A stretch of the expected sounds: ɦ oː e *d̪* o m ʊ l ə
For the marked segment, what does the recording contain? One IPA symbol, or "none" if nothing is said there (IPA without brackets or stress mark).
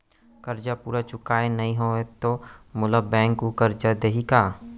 t̪